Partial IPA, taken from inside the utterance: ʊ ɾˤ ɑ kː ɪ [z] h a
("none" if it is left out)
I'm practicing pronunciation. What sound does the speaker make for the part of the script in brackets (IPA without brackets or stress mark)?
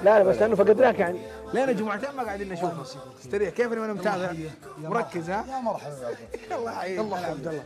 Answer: z